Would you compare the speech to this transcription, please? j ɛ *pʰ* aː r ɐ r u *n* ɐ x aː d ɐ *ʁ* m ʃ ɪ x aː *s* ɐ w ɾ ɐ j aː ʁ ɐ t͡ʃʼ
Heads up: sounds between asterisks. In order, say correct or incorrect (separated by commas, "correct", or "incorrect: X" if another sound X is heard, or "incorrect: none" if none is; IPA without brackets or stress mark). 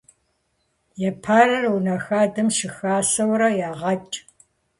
correct, correct, incorrect: none, correct